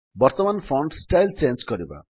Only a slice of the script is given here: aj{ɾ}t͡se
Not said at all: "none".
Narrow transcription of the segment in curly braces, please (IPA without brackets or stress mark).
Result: l